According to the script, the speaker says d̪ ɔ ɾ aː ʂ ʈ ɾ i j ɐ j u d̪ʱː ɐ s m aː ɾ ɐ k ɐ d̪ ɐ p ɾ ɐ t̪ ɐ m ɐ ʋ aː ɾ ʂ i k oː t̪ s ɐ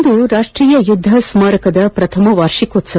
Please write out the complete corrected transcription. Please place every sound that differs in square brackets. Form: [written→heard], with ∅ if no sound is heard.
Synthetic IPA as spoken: d̪ [ɔ→u] ɾ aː ʂ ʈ ɾ [i→iː] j ɐ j u d̪ʱː ɐ s m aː ɾ ɐ k ɐ d̪ ɐ p ɾ ɐ [t̪→t̪ʰ] ɐ m ɐ ʋ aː ɾ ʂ i k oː t̪ s ɐ

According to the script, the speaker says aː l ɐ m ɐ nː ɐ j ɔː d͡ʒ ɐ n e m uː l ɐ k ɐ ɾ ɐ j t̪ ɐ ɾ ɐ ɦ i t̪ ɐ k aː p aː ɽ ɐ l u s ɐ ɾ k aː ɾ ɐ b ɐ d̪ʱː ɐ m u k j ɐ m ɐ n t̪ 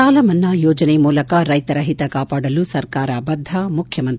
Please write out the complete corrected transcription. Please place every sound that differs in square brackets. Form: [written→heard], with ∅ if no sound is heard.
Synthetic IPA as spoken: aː l ɐ m ɐ nː ɐ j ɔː d͡ʒ ɐ n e m uː l ɐ k ɐ ɾ ɐ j t̪ ɐ ɾ ɐ ɦ i t̪ ɐ k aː p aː ɽ ɐ l u s ɐ ɾ k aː ɾ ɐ b ɐ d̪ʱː ɐ m u [k→kʰ] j ɐ m ɐ n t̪

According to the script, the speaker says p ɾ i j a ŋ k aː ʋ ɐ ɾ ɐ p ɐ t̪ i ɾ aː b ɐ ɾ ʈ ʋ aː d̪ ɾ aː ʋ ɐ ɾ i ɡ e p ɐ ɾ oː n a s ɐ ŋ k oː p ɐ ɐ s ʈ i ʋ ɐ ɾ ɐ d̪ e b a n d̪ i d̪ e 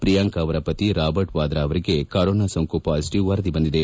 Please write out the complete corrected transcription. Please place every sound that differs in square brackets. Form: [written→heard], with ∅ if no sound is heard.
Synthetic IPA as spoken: p ɾ i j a ŋ k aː ʋ ɐ ɾ ɐ p ɐ t̪ i ɾ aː b ɐ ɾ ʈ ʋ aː d̪ ɾ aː ʋ ɐ ɾ i ɡ e [p→k] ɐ ɾ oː n a s ɐ ŋ k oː p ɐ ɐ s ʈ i ʋ ɐ ɾ ɐ d̪ [e→i] b [a→ɐ] n d̪ i d̪ e

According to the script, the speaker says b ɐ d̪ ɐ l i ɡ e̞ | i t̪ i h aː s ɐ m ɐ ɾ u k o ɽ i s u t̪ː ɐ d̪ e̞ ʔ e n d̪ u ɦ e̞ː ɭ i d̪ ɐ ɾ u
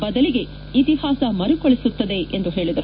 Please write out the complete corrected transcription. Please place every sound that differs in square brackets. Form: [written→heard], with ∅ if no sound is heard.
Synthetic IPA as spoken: b ɐ d̪ ɐ l i ɡ e̞ | i t̪ i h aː s ɐ m ɐ ɾ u k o [ɽ→ɭ] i s u t̪ː ɐ d̪ e̞ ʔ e n d̪ u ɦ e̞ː ɭ i d̪ ɐ ɾ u

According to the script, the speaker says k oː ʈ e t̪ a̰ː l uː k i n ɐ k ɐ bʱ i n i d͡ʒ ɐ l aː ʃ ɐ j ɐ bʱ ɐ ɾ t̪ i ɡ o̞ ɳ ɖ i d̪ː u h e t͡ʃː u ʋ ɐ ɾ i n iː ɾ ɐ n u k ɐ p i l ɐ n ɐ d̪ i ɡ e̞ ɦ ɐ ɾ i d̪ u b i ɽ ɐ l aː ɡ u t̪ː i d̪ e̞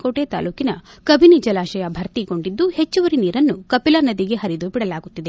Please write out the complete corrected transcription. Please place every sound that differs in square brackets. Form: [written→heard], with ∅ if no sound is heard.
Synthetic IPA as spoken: k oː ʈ e t̪ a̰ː l uː k i n ɐ k ɐ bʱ i n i d͡ʒ ɐ l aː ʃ ɐ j ɐ bʱ ɐ ɾ t̪ i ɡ o̞ ɳ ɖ i d̪ː u h e t͡ʃː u ʋ ɐ ɾ i n iː ɾ ɐ [n→nː] u k ɐ p i l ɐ n ɐ d̪ i ɡ e̞ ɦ ɐ ɾ i d̪ u b i ɽ ɐ l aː ɡ u t̪ː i d̪ e̞

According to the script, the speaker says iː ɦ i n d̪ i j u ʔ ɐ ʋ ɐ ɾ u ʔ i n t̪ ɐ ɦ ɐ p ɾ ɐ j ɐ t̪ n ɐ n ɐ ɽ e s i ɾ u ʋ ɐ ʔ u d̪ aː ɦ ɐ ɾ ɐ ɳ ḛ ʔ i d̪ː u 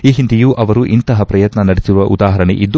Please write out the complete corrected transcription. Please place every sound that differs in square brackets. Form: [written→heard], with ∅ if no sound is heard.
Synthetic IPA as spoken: iː ɦ i n d̪ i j u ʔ ɐ ʋ ɐ ɾ u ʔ i n t̪ ɐ ɦ ɐ p ɾ ɐ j ɐ t̪ n ɐ n ɐ ɽ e s i ɾ u ʋ ɐ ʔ u d̪ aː ɦ ɐ ɾ ɐ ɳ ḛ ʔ i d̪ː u

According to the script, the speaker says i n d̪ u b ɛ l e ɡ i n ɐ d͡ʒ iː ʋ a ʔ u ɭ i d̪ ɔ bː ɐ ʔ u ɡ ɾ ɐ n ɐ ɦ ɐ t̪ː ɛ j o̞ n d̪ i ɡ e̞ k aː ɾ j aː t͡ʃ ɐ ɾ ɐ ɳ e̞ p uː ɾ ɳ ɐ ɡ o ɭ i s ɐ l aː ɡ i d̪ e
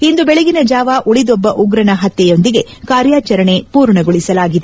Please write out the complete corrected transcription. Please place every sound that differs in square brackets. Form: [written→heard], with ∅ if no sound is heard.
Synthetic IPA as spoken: i n d̪ u b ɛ [l→ɭ] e ɡ i n ɐ d͡ʒ [iː→aː] ʋ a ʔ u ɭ i d̪ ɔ bː ɐ ʔ u ɡ ɾ ɐ n ɐ ɦ ɐ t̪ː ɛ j o̞ n d̪ i ɡ e̞ k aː ɾ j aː t͡ʃ ɐ ɾ ɐ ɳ e̞ p uː ɾ ɳ ɐ ɡ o ɭ i s ɐ l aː ɡ i d̪ e

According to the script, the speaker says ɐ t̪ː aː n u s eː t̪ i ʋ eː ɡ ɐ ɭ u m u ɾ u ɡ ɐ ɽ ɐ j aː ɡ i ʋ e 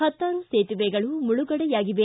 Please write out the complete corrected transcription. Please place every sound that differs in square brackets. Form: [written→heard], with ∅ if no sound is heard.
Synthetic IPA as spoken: ɐ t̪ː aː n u s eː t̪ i ʋ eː ɡ ɐ ɭ u m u [ɾ→ɭ] u ɡ ɐ ɽ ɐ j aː ɡ i ʋ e

